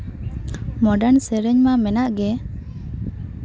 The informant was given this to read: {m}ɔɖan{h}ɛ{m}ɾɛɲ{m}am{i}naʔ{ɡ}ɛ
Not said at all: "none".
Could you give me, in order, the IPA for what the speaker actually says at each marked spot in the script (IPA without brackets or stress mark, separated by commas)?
m, s, none, m, ɛ, ɡ